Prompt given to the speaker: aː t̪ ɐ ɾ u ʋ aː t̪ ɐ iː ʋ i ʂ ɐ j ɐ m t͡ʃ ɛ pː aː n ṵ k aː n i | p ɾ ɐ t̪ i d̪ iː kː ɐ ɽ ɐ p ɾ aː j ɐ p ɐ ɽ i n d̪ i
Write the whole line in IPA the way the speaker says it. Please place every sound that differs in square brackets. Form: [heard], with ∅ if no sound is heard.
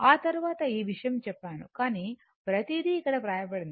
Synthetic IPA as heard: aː t̪ ɐ ɾ u ʋ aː t̪ ɐ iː ʋ i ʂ ɐ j ɐ m t͡ʃ ɛ pː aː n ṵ k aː n i | p ɾ ɐ t̪ i d̪ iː kː ɐ ɽ ɐ p ɾ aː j ɐ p ɐ ɽ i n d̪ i